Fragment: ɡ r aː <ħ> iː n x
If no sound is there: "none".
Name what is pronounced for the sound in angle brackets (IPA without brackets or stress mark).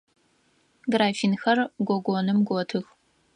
f